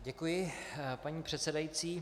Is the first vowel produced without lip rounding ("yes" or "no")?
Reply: yes